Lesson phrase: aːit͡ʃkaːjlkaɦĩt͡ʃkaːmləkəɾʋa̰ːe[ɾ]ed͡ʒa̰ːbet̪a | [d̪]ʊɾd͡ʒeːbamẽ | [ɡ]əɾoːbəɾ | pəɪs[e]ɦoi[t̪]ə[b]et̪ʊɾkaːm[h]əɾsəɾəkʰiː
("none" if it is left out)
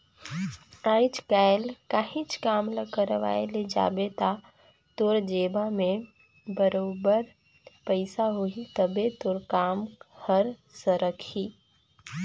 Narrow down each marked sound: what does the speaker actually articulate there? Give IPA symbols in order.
l, t̪, b, a, t̪, b, h

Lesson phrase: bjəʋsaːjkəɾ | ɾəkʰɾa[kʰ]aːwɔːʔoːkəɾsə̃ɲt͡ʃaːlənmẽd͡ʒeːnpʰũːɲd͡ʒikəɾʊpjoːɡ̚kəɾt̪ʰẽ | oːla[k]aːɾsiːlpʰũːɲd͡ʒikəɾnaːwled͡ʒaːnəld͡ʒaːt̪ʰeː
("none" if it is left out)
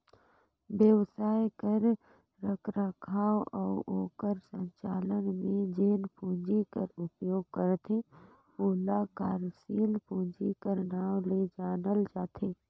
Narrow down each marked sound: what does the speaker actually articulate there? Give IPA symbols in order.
kʰ, k

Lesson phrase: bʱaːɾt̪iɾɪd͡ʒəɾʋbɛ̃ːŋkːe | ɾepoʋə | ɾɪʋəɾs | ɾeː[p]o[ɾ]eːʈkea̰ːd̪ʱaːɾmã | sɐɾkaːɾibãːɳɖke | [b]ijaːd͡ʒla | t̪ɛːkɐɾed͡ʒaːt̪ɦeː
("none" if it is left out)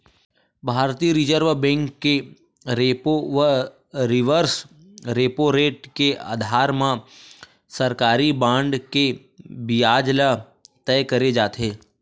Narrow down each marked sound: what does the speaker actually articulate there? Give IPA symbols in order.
p, ɾ, b

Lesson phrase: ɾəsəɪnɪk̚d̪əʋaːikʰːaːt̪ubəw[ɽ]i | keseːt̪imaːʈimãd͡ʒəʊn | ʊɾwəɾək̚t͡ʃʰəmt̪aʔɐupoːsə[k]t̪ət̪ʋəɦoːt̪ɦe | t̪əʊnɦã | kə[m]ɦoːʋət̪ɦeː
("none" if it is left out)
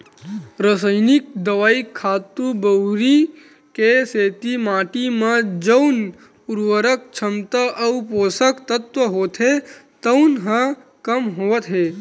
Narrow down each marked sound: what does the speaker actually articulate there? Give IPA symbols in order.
ɾ, k, m

